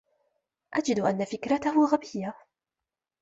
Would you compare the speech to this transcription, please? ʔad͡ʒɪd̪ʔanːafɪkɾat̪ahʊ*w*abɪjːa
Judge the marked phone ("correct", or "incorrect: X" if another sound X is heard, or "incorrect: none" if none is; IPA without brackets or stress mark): incorrect: ɣ